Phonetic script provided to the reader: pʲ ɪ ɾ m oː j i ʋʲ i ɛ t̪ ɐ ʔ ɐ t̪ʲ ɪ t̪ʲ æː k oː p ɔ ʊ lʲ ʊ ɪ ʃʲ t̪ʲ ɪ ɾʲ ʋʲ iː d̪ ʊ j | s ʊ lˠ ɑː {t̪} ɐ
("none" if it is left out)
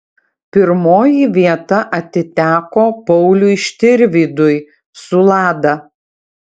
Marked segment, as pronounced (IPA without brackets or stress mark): d̪